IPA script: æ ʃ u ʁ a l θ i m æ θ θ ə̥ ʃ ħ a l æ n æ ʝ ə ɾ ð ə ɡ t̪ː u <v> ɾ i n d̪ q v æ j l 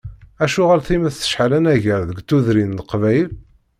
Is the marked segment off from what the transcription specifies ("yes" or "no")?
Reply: yes